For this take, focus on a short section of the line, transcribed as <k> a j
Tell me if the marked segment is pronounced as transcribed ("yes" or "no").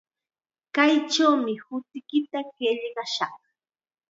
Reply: yes